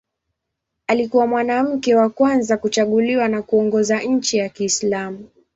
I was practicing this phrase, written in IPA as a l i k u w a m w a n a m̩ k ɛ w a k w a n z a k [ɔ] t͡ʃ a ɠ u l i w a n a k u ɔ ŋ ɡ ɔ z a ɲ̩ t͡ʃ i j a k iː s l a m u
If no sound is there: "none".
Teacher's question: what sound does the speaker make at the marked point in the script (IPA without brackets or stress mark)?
u